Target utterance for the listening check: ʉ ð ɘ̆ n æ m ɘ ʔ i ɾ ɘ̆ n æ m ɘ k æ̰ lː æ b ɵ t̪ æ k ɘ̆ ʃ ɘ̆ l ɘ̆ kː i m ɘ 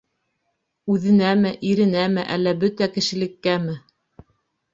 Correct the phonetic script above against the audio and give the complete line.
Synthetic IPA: ʉ ð ɘ̆ n æ m ɘ ʔ i ɾ ɘ̆ n æ m ɘ ʔ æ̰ lː æ b ɵ t̪ æ k ɘ̆ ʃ ɘ̆ l ɘ̆ kː æ m ɘ